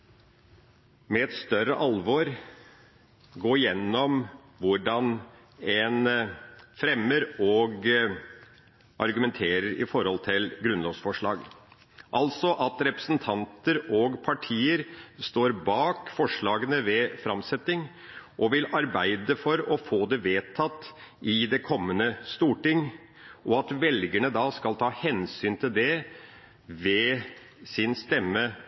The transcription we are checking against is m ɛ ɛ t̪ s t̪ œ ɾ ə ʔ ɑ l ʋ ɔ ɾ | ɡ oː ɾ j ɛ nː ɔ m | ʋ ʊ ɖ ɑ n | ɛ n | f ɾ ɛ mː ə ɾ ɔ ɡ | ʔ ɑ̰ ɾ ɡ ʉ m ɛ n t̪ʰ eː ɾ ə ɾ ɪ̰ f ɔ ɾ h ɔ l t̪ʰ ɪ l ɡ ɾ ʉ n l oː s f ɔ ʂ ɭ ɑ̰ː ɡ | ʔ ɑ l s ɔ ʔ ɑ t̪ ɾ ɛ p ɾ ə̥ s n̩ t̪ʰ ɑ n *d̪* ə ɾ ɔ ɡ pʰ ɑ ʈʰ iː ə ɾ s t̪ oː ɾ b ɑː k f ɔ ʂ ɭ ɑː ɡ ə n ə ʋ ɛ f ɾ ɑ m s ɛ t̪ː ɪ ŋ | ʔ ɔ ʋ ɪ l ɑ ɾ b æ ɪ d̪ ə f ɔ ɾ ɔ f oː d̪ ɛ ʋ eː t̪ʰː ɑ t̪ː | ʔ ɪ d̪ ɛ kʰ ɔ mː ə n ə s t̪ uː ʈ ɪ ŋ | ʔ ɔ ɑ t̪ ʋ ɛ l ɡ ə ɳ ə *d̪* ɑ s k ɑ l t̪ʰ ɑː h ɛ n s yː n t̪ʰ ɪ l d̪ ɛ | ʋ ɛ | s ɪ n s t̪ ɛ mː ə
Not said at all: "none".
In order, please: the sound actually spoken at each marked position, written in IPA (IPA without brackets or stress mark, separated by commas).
t̪, d̪